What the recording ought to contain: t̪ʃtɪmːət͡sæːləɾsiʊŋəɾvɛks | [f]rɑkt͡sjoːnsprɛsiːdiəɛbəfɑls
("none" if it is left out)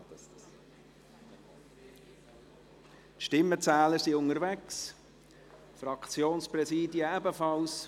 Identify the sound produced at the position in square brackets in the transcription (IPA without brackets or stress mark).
f